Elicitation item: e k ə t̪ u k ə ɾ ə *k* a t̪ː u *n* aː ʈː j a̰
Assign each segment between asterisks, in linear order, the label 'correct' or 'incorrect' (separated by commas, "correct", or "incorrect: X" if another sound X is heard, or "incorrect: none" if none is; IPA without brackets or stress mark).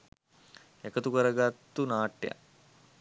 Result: incorrect: ɡ, correct